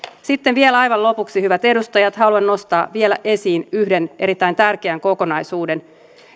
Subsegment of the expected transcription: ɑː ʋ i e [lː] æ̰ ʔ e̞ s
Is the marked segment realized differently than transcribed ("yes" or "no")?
yes